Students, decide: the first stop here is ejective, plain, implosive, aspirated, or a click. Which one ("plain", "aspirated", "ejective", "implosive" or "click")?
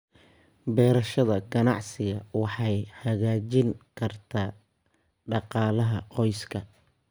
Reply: plain